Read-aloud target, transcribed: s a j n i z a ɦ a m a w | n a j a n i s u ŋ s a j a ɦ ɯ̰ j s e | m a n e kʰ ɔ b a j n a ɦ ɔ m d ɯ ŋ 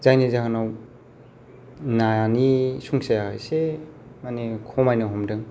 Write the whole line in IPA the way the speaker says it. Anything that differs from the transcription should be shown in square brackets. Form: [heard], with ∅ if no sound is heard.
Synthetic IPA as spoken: [z] a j n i z a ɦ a [n] a w | n a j a n i s u ŋ s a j a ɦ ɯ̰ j s e | m a n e kʰ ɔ [m] a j n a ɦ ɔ m d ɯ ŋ